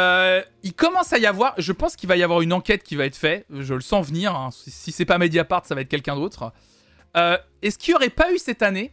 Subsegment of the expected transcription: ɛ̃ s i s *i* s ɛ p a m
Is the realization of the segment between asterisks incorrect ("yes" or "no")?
no